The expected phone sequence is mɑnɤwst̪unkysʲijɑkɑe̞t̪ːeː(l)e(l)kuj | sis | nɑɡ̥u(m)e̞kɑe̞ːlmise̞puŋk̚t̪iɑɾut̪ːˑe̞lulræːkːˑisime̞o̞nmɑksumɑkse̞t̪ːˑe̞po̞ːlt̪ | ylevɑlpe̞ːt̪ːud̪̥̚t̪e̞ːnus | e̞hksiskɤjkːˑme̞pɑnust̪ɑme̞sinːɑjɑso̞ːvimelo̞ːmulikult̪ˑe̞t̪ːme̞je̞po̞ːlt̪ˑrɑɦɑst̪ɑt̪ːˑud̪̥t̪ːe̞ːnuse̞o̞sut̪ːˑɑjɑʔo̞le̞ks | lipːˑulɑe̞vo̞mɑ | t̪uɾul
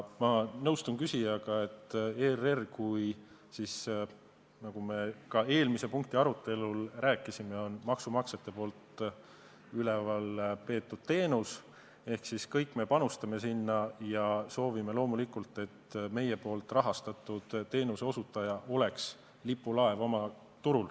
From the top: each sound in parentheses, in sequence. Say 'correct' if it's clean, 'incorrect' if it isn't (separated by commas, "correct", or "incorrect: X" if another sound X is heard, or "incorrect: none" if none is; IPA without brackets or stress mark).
incorrect: r, incorrect: r, correct